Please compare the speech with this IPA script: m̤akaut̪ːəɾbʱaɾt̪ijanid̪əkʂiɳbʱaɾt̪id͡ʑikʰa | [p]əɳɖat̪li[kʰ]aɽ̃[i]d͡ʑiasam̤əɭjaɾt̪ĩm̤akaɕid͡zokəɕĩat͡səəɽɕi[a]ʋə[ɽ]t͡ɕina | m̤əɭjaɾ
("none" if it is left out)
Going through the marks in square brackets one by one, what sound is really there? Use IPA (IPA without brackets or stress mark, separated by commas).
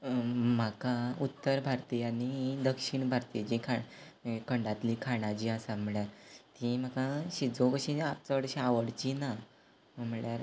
k, kʰ, a, a, ɽ